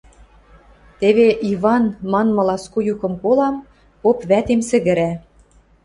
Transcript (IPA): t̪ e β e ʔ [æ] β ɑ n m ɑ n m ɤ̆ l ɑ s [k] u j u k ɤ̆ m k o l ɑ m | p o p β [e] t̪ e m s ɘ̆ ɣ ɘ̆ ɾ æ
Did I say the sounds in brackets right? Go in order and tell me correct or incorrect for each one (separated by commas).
incorrect, correct, incorrect